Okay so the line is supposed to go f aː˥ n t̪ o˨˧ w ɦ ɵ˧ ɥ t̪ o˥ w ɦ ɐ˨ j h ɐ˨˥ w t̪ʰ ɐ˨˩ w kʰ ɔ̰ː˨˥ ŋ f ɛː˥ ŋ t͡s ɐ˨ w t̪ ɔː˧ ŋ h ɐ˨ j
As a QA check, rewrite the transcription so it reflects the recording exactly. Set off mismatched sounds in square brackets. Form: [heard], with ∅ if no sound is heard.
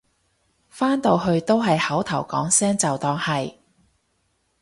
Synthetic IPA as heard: f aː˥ n t̪ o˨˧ w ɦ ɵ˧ ɥ t̪ o˥ w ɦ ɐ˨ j h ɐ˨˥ w t̪ʰ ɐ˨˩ w [k] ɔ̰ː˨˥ ŋ [s] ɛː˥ ŋ t͡s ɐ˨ w t̪ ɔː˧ ŋ h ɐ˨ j